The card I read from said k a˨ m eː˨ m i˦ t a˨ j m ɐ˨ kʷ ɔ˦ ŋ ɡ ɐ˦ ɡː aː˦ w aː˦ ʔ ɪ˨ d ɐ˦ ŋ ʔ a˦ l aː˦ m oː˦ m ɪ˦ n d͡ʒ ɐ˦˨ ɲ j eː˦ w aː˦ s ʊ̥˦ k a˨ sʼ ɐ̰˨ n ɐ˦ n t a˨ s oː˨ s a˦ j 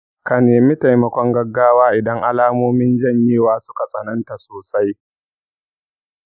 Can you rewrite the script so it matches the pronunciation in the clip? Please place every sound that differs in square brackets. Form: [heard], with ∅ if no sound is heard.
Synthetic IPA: k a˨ [n] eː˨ m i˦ t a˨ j m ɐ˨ kʷ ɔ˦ ŋ ɡ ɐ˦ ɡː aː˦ w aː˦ ʔ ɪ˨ d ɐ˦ ŋ ʔ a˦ l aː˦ m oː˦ m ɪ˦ n d͡ʒ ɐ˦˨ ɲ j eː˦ w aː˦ s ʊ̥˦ k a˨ sʼ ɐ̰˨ n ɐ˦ n t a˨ s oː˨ s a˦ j